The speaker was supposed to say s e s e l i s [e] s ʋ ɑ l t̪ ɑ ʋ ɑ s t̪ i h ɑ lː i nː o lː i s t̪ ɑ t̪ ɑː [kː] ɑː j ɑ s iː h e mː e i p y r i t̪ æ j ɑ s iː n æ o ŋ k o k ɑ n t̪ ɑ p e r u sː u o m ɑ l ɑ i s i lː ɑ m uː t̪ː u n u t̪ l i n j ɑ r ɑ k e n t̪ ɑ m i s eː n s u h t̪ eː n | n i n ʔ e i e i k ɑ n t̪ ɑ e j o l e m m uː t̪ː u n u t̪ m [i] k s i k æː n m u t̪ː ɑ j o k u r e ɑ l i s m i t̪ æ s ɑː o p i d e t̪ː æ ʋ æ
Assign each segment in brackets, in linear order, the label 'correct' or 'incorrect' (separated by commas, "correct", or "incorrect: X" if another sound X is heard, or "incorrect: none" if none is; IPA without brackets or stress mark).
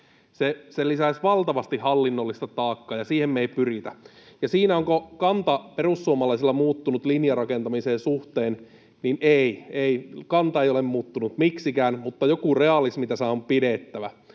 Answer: incorrect: æ, correct, correct